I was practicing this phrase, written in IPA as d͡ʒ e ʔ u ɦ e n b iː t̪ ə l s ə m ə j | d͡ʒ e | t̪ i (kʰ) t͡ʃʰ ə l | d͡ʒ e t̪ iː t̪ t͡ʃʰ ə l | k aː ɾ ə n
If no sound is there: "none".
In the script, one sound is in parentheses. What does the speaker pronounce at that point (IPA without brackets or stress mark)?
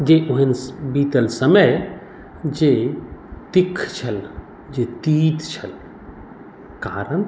kʰ